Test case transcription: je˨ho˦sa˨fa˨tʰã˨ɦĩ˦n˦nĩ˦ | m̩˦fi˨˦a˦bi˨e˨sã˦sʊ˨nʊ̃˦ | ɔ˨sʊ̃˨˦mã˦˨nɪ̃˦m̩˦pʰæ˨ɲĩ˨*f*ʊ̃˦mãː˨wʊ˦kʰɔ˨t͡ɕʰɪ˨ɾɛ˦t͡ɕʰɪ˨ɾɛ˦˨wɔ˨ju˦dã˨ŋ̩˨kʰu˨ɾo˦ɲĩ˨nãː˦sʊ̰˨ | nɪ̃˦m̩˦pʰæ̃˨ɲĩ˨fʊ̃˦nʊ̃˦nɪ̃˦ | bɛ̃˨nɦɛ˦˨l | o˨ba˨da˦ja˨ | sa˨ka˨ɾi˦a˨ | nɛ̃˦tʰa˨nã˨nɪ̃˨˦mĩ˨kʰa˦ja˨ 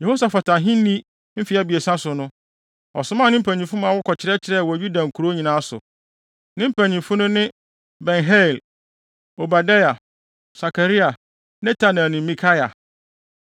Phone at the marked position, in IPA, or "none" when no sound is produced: f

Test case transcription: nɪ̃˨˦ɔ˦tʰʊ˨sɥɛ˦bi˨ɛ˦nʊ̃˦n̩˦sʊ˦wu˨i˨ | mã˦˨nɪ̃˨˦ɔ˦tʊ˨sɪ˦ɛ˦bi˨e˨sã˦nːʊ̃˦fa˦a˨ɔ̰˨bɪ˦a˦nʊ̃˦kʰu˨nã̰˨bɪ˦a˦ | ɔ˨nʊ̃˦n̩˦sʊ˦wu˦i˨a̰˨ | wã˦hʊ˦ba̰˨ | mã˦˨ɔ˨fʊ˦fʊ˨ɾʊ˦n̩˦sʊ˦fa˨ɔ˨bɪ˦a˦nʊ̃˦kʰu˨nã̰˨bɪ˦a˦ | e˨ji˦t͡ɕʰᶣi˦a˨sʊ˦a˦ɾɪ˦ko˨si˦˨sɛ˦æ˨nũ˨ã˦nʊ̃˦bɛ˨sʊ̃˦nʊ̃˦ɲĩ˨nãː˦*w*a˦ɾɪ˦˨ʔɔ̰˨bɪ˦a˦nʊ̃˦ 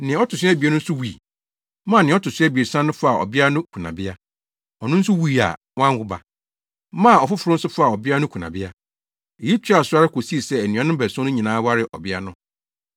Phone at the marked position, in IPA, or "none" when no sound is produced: w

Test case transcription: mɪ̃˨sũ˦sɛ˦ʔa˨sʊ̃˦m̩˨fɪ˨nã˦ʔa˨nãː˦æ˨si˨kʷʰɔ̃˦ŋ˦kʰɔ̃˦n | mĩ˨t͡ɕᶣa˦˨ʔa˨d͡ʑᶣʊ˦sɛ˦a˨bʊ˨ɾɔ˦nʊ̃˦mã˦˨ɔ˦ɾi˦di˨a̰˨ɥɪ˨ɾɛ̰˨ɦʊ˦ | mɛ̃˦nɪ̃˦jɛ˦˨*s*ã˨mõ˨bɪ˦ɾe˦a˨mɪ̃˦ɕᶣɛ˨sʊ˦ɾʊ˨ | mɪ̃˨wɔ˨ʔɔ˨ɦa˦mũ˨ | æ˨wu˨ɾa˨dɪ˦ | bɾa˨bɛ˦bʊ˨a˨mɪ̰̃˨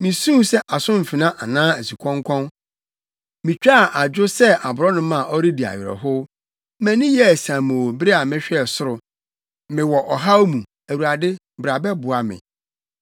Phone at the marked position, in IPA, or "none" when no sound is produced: s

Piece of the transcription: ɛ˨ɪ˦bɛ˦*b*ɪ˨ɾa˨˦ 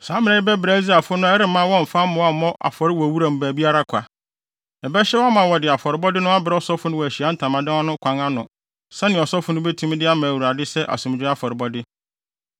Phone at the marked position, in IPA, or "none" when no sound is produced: b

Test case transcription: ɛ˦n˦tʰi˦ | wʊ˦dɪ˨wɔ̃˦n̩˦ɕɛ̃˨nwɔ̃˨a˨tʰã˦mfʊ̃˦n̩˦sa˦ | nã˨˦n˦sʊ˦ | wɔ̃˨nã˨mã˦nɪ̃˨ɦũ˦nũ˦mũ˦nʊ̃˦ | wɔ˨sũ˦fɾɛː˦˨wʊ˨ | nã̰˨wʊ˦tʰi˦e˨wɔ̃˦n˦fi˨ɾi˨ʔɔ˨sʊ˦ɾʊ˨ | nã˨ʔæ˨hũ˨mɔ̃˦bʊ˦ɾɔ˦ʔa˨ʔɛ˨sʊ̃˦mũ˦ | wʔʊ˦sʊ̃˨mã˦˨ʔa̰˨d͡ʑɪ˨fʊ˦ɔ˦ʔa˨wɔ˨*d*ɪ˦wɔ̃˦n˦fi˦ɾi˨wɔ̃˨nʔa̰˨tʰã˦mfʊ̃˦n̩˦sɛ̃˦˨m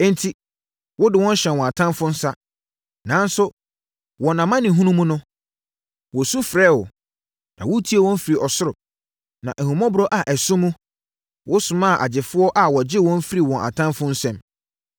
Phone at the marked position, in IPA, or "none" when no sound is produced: d͡ʑ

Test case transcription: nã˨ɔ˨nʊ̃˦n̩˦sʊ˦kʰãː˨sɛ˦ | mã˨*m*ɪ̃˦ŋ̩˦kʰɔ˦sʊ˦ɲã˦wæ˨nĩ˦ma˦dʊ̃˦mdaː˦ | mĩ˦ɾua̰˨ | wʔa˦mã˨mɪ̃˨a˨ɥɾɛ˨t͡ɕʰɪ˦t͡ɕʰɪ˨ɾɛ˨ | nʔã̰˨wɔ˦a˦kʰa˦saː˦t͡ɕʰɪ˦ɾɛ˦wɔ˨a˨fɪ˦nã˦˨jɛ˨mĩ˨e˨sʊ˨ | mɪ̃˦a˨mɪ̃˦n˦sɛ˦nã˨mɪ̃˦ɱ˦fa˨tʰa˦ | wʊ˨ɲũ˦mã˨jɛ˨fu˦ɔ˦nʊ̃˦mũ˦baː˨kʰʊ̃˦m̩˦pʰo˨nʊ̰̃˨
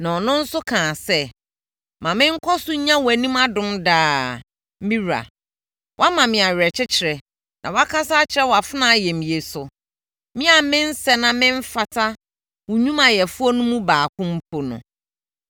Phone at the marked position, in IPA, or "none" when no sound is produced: m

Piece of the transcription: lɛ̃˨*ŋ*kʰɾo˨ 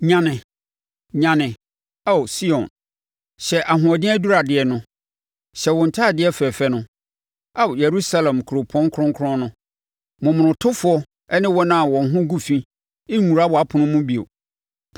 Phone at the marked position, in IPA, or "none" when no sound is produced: m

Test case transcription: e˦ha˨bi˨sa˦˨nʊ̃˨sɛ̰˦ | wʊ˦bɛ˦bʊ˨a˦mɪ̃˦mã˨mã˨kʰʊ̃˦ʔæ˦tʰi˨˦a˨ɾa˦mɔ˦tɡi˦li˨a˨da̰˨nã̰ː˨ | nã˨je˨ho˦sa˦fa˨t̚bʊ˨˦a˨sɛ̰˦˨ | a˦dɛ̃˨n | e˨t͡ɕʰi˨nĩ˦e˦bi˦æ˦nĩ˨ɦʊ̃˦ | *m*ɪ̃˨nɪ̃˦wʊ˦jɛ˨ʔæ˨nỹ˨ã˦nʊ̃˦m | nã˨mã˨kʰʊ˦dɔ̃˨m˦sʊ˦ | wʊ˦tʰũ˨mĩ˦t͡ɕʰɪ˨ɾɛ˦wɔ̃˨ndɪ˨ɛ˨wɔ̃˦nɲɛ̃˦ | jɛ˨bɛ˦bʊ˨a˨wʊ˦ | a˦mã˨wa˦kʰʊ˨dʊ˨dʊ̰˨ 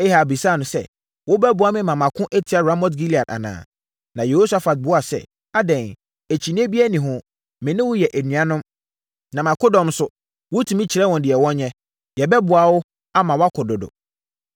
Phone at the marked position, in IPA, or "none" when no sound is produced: m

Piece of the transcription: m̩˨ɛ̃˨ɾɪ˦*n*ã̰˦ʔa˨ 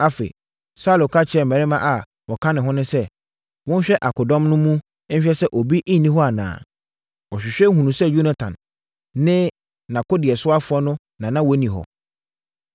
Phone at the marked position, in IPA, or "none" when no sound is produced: m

